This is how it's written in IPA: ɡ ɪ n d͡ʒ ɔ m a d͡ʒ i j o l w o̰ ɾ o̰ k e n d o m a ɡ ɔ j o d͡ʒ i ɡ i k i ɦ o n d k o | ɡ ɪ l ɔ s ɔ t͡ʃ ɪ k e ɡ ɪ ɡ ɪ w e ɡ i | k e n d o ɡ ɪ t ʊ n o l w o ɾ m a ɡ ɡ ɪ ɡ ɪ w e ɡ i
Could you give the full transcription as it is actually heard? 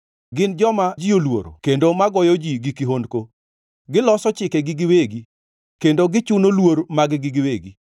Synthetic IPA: ɡ ɪ n d͡ʒ ɔ m a d͡ʒ i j o l w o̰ ɾ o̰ k e n d o m a ɡ ɔ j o d͡ʒ i ɡ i k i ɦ o n d k o | ɡ ɪ l ɔ s ɔ t͡ʃ ɪ k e ɡ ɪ ɡ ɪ w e ɡ i | k e n d o ɡ ɪ t͡ʃ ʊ n o l w o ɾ m a ɡ ɡ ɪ ɡ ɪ w e ɡ i